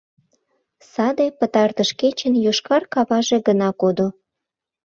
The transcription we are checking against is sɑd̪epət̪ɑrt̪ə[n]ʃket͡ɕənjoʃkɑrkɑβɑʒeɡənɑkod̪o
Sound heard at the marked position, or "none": none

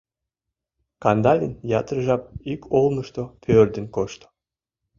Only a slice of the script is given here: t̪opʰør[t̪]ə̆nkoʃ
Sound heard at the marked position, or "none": d̪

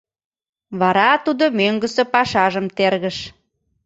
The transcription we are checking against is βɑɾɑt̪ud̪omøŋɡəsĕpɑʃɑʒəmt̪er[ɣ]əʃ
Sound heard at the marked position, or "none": ɣ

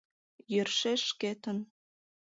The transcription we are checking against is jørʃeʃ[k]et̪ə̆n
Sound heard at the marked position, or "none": k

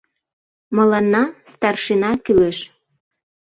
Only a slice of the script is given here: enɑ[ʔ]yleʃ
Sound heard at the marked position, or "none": k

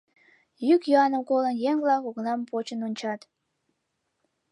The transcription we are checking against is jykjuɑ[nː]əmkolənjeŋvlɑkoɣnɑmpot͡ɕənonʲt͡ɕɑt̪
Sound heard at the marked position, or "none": n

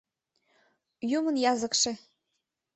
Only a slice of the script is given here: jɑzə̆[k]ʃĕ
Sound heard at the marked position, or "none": k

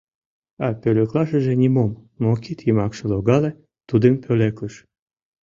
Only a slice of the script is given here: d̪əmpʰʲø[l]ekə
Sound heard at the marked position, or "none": l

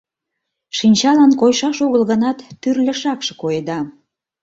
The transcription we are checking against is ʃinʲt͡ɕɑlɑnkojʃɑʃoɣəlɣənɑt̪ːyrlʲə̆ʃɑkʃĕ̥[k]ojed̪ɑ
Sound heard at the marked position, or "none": k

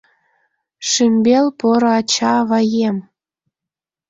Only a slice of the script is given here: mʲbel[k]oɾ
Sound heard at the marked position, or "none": p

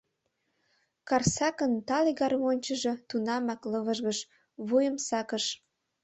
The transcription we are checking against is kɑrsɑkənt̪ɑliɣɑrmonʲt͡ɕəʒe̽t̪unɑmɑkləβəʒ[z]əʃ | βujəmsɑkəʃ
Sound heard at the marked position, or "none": ɣ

